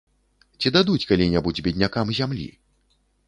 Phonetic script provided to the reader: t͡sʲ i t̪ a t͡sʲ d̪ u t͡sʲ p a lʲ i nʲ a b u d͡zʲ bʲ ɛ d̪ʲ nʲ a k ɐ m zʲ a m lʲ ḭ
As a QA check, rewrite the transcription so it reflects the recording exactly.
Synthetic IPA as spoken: t͡sʲ i d̪ a d̪ u t͡sʲ k a lʲ i nʲ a b u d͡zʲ bʲ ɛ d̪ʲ nʲ a k a m zʲ a m lʲ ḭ